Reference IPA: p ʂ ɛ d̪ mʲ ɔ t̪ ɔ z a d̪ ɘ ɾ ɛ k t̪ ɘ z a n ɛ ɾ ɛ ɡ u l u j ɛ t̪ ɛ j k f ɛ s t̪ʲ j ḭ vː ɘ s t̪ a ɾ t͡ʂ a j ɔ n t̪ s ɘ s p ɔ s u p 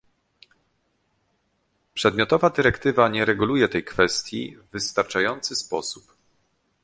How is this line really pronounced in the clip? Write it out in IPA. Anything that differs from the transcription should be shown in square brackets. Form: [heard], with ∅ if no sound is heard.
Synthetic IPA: p ʂ ɛ d̪ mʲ ɔ t̪ ɔ [v] a d̪ ɘ ɾ ɛ k t̪ ɘ [v] a [ɲ] ɛ ɾ ɛ ɡ u l u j ɛ t̪ ɛ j k f ɛ s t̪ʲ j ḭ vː ɘ s t̪ a ɾ t͡ʂ a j ɔ n t̪ s ɘ s p ɔ s u p